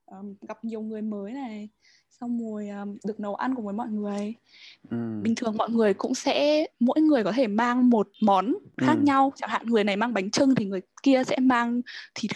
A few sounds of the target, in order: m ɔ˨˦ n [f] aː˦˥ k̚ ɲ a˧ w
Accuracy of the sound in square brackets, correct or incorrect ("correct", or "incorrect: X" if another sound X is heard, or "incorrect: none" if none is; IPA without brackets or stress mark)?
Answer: incorrect: x